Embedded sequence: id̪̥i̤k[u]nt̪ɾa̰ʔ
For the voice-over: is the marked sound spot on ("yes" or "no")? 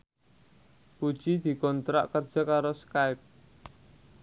no